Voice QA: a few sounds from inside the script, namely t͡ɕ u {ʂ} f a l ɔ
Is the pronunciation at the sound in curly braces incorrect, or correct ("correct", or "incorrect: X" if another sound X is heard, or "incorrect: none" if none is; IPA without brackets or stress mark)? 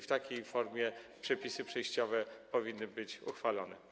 incorrect: x